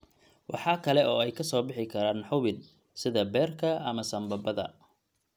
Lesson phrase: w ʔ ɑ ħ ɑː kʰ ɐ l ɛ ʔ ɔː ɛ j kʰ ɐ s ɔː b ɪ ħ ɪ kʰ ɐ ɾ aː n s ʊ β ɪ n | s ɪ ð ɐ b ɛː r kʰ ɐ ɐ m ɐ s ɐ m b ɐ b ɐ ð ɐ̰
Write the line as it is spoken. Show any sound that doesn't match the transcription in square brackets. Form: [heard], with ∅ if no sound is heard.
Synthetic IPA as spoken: w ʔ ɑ ħ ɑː kʰ ɐ l ɛ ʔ ɔː ɛ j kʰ ɐ s ɔː b ɪ ħ ɪ kʰ ɐ ɾ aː n [ħ] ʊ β ɪ n | s ɪ ð ɐ b ɛː r kʰ ɐ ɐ m ɐ s ɐ m b ɐ b ɐ ð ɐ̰

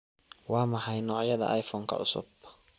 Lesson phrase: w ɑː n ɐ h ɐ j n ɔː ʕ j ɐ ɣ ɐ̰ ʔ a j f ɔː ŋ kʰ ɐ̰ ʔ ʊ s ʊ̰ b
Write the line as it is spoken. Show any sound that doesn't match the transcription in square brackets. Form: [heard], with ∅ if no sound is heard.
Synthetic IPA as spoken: w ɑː [m] ɐ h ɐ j n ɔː ʕ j ɐ [ð] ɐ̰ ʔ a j f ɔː ŋ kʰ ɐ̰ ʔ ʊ s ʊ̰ b

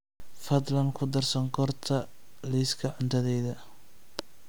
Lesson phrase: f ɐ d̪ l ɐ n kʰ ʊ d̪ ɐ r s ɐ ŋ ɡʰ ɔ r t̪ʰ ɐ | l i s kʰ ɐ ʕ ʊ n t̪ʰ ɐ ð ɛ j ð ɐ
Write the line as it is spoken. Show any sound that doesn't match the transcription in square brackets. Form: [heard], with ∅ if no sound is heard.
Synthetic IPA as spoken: f ɐ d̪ l ɐ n kʰ ʊ d̪ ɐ r s ɐ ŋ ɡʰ ɔ r t̪ʰ ɐ | l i s kʰ ɐ ʕ ʊ n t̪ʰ ɐ ð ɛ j ð ɐ

